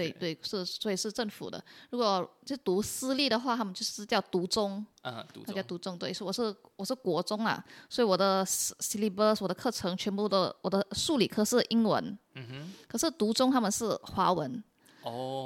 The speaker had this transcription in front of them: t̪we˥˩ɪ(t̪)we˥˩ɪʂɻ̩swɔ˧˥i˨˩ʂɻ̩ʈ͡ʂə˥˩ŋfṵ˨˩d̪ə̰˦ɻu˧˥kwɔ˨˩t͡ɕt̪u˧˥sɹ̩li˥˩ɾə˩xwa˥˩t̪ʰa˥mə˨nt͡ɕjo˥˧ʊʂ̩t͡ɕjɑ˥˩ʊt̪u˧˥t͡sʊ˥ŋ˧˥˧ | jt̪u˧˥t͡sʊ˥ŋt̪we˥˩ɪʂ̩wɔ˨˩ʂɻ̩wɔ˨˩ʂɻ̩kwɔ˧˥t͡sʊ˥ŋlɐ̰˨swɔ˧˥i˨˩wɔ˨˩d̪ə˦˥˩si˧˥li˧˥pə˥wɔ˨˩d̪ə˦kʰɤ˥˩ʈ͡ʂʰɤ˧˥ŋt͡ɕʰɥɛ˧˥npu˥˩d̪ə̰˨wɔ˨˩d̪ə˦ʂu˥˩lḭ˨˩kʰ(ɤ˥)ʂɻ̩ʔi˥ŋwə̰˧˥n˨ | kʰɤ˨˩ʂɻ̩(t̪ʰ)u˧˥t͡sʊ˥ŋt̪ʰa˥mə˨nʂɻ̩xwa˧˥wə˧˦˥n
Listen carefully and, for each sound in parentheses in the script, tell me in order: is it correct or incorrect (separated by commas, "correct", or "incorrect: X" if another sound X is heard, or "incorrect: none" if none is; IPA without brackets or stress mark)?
correct, correct, incorrect: t̪